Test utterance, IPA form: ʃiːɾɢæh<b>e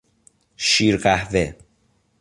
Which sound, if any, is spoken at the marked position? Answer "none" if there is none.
v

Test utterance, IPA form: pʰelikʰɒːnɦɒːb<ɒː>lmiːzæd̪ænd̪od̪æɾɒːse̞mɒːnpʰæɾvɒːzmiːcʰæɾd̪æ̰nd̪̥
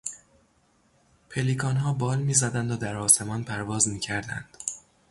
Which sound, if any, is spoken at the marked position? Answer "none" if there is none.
ɒː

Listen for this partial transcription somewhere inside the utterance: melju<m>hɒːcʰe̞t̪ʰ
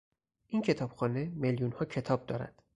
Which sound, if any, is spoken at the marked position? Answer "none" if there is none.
n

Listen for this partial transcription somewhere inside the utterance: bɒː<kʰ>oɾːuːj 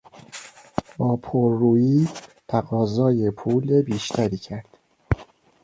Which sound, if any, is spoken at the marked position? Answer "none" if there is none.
pʰ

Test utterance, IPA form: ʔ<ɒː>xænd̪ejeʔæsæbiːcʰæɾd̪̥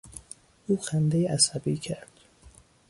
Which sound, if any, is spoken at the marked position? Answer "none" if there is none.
uː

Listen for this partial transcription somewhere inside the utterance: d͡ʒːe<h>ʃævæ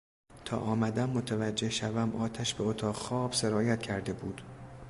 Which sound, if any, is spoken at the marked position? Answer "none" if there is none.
h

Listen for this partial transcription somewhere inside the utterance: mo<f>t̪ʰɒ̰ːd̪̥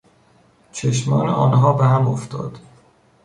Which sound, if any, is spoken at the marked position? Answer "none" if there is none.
f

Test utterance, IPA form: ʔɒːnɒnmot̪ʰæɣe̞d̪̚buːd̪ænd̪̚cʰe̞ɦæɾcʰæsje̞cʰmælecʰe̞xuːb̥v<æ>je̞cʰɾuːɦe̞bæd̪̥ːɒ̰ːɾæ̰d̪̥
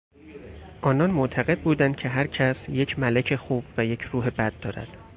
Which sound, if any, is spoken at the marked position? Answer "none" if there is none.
æ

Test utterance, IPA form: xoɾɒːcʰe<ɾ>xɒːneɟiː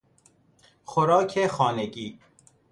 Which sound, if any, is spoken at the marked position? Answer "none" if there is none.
none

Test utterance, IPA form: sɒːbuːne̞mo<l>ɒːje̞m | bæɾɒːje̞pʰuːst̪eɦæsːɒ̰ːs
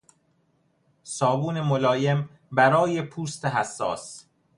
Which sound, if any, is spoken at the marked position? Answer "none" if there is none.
l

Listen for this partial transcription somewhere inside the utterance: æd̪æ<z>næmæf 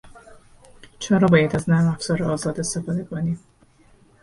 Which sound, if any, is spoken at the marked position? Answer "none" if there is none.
z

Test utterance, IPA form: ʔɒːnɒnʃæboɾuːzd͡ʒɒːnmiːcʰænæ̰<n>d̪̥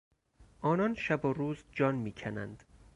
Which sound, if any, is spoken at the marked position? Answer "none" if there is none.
n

